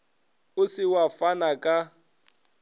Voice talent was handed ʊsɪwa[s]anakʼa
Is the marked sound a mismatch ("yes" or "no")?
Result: yes